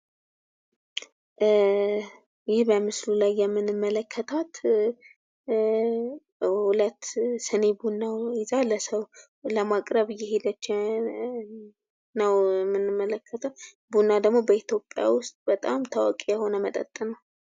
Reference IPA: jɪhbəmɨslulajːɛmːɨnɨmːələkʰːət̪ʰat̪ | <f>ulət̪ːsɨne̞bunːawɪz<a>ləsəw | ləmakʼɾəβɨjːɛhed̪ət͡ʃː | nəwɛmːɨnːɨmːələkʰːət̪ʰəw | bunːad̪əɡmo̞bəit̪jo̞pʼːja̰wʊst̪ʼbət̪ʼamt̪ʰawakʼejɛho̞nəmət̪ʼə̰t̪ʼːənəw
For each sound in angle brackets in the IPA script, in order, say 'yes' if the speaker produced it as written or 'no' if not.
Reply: no, yes

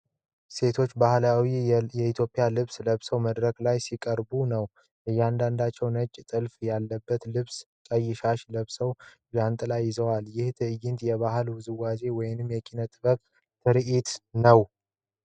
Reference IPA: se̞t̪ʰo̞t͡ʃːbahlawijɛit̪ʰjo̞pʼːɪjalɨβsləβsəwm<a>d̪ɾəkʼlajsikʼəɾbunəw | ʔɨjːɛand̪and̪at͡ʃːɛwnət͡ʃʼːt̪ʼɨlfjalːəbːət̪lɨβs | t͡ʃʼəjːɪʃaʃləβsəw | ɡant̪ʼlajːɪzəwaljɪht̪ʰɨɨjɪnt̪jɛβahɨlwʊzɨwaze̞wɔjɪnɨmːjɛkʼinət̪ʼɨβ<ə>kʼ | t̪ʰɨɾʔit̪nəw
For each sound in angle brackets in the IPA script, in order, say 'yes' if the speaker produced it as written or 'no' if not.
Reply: no, yes

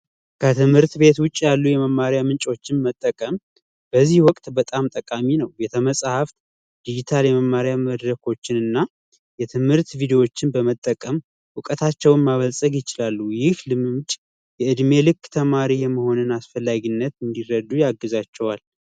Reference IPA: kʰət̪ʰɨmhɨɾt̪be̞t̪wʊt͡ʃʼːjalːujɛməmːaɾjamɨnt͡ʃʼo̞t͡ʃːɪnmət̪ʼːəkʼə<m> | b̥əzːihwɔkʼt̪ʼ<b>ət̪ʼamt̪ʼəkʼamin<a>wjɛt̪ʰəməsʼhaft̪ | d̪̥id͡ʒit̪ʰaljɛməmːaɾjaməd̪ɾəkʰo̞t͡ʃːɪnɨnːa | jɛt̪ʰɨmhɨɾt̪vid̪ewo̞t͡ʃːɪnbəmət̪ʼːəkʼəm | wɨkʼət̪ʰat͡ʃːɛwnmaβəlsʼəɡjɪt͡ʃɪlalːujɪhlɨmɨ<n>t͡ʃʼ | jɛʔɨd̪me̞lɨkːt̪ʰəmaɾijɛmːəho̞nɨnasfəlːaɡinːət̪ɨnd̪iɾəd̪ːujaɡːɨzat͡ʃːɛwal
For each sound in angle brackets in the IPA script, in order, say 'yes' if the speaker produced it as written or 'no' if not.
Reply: yes, yes, no, no

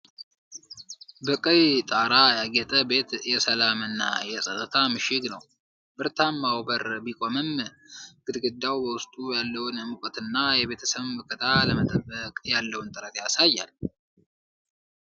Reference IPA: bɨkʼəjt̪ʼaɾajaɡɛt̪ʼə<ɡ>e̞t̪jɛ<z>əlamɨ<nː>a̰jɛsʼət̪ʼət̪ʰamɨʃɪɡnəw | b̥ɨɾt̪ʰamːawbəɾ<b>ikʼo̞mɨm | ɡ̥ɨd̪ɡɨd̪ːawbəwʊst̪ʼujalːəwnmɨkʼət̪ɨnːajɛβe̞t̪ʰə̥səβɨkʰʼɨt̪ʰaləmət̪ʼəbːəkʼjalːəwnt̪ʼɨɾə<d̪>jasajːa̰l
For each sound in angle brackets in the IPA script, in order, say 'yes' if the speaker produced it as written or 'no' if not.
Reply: no, no, yes, yes, no

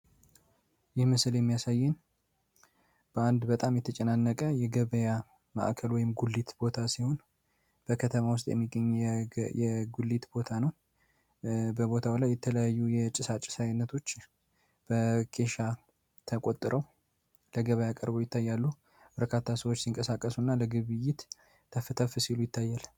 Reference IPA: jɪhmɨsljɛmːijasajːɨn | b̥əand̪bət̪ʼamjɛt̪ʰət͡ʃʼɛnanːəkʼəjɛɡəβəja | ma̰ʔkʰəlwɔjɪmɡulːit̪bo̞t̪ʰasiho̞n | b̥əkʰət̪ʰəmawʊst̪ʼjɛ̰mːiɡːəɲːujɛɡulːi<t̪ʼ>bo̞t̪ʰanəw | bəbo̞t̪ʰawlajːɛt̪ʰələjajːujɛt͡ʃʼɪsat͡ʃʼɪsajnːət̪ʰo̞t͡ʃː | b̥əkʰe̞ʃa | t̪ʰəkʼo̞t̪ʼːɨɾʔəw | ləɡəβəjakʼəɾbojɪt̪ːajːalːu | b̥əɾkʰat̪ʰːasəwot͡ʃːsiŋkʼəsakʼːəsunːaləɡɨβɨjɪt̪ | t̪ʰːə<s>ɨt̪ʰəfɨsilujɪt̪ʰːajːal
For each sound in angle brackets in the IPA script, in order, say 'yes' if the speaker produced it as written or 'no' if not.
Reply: no, no

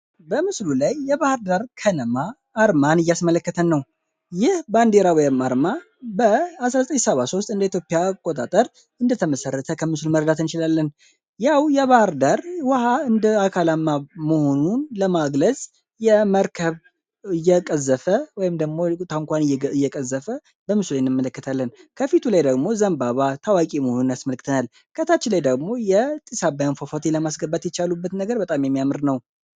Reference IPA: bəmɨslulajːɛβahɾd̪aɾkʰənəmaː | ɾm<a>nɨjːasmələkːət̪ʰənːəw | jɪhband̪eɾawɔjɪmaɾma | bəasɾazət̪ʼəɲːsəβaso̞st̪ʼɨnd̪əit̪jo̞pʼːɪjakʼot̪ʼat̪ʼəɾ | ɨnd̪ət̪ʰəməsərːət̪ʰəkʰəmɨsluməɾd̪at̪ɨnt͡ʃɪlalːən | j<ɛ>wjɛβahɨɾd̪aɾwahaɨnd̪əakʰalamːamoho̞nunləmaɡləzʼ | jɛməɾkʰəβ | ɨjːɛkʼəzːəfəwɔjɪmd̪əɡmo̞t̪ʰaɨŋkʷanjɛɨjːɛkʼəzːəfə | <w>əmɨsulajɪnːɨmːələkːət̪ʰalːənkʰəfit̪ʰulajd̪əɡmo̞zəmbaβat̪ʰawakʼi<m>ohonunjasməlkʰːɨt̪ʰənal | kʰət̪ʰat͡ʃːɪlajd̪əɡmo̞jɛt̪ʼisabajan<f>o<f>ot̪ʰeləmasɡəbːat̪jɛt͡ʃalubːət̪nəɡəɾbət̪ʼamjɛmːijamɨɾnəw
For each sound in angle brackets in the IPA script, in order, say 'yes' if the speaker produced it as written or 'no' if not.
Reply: yes, no, no, yes, yes, yes

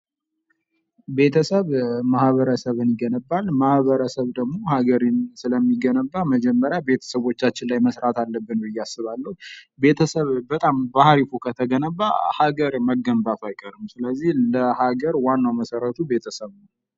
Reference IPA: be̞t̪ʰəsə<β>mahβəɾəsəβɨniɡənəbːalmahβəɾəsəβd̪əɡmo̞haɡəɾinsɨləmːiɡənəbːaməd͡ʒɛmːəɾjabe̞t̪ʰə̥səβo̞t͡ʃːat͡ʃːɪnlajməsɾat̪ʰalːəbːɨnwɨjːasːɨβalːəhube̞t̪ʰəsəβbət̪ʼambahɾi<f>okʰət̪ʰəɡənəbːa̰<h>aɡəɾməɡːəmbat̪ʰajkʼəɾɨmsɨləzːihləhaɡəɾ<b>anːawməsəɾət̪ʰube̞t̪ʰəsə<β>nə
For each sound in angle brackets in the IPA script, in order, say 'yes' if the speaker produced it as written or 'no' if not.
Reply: yes, yes, yes, no, yes

